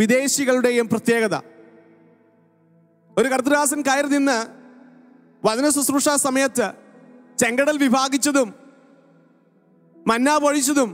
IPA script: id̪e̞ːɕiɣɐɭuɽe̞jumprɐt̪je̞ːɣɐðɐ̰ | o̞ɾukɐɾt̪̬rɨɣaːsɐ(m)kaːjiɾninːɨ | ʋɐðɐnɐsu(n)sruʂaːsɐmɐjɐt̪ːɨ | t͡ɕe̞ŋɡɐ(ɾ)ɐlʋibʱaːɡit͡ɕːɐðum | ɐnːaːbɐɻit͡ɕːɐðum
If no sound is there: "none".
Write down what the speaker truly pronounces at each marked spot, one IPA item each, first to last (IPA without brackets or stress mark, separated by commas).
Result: n, none, ɽ